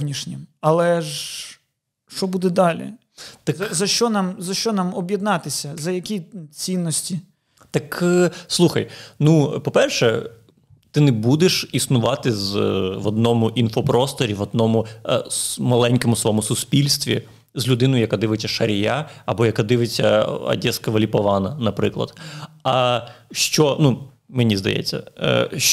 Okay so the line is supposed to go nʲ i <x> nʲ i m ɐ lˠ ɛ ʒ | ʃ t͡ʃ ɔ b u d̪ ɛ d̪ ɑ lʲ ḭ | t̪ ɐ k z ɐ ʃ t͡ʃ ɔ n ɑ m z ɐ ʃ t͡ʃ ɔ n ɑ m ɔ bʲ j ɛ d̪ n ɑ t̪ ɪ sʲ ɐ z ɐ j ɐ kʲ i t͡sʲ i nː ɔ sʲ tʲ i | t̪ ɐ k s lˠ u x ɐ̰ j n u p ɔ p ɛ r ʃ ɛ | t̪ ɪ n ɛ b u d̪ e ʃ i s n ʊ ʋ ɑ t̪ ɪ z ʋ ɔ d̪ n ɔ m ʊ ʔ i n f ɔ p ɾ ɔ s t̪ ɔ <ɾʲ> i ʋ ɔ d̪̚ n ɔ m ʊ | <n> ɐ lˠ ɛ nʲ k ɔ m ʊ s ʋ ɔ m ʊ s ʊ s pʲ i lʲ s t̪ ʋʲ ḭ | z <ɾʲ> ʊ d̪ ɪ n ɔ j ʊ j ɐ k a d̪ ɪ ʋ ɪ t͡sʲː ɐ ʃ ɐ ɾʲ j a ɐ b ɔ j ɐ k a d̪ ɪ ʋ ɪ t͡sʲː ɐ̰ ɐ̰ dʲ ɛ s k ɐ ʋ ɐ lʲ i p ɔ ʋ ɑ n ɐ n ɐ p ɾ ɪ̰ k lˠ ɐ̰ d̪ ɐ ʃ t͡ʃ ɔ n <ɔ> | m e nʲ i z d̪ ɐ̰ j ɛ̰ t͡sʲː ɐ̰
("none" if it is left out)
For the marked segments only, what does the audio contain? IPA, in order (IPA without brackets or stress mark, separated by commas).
ʃ, ɾʲ, m, lʲ, u